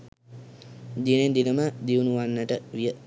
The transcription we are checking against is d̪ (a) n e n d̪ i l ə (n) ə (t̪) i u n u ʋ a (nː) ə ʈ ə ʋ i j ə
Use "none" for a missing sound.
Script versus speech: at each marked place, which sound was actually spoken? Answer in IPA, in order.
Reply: i, m, d̪, nː

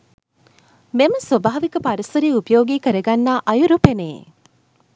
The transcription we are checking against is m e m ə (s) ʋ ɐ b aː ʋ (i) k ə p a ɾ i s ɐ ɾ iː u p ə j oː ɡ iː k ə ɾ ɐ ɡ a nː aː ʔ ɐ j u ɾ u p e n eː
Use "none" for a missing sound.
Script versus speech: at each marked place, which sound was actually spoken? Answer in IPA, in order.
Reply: s, i

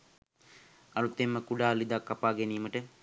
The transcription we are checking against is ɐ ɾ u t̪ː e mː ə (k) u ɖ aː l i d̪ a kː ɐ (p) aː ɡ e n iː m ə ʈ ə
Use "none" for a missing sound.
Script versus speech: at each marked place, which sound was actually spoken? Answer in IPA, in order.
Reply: k, p

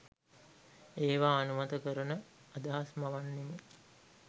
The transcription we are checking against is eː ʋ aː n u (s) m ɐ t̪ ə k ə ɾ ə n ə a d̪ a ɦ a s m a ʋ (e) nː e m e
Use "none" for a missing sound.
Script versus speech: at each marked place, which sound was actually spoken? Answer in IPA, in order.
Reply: none, a

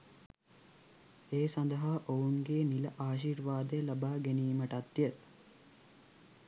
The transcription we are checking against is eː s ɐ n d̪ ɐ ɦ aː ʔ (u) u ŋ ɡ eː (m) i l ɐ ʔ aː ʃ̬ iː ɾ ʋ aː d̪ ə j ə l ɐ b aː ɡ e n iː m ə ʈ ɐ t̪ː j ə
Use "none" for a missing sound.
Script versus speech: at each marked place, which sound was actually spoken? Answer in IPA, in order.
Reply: o, n

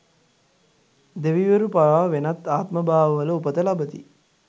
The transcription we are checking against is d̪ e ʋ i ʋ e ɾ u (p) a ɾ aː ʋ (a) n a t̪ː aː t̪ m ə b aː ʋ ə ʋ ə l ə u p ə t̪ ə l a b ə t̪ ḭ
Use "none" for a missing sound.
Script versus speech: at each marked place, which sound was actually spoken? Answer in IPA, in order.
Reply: p, e

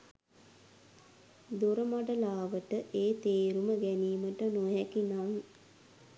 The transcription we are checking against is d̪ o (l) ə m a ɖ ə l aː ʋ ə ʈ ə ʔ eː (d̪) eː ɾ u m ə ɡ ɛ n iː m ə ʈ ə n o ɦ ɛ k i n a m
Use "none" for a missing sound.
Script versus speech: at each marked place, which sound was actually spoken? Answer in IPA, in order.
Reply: ɾ, t̪

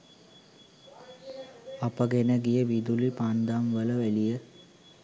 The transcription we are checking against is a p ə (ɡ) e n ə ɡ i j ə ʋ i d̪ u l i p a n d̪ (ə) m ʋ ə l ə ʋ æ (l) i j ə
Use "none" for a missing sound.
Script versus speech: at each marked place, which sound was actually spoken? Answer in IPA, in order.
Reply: ɡ, a, l

